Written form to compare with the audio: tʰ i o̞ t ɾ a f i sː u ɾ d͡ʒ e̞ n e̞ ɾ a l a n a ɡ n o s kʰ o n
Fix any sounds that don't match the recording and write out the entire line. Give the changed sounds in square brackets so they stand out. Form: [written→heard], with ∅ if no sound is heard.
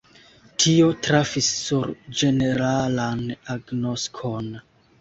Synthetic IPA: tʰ i o̞ t ɾ a f i sː u ɾ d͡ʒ e̞ n e̞ ɾ a l a n a ɡ n o s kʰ o n